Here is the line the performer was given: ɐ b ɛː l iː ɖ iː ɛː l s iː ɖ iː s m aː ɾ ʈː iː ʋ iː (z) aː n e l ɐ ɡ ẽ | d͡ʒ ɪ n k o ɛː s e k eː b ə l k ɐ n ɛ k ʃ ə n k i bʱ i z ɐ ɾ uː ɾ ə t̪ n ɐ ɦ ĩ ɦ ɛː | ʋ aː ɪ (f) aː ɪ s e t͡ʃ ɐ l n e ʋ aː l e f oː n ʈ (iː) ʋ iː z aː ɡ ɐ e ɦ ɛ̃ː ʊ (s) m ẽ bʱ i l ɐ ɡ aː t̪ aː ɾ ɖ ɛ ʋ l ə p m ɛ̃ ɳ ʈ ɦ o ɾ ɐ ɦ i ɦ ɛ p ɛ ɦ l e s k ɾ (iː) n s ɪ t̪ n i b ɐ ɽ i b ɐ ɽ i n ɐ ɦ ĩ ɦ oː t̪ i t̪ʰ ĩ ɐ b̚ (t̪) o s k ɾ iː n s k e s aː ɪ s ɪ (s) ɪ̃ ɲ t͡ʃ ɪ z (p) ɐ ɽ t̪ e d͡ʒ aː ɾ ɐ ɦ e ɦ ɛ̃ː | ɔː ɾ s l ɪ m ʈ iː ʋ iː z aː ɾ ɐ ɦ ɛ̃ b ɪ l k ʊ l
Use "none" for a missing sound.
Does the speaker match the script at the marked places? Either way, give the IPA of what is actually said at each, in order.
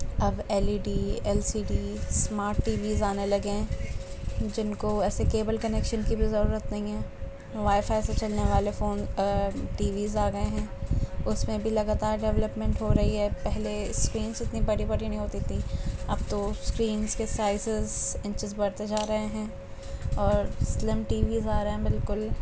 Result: z, f, iː, s, iː, t̪, z, b

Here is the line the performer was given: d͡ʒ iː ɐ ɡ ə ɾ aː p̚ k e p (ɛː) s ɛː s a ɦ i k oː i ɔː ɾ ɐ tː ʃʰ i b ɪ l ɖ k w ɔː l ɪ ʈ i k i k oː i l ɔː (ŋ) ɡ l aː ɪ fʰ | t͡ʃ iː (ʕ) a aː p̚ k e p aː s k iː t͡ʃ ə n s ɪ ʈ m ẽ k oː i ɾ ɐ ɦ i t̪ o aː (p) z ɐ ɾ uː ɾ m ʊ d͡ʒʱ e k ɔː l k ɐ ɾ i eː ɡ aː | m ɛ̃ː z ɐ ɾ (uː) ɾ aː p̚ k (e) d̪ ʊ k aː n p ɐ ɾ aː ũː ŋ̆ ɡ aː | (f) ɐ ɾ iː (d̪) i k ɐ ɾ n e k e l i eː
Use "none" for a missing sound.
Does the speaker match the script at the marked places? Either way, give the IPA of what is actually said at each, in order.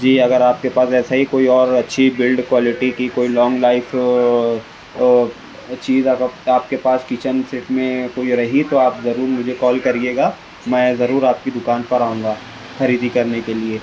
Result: aː, ŋ, z, p, uː, i, x, d̪

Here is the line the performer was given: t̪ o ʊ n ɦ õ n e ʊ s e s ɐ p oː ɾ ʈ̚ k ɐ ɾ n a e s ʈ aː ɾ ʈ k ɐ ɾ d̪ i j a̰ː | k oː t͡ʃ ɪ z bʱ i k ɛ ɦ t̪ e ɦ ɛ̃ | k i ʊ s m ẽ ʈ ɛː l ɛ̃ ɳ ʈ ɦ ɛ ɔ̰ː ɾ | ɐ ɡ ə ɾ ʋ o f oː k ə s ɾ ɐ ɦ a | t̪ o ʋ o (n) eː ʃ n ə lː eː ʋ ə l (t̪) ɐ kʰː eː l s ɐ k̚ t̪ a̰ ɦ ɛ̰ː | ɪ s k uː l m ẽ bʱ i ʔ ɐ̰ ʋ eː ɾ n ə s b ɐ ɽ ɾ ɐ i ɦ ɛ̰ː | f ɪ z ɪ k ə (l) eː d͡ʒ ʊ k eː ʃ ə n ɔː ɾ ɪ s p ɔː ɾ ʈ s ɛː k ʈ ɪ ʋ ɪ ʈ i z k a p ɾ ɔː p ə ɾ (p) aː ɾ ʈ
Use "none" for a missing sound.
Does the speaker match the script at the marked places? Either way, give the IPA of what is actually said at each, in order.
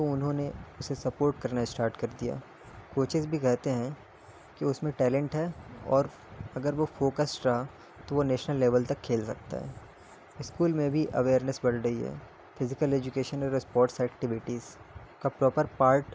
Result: n, t̪, l, p

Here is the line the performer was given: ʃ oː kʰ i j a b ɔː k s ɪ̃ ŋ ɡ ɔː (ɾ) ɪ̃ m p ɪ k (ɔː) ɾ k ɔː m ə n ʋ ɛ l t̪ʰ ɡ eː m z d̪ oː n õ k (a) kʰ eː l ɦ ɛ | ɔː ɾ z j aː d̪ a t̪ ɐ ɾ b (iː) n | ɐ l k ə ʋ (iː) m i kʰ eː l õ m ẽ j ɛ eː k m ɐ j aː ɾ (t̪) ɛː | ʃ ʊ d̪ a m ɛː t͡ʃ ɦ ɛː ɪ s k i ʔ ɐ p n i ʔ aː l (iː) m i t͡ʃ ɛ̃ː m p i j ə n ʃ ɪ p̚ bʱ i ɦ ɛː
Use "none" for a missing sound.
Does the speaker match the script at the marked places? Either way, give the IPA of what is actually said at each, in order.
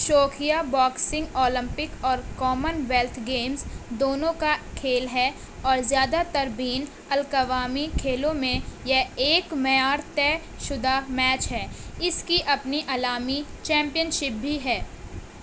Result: l, ɔː, a, iː, aː, t̪, aː

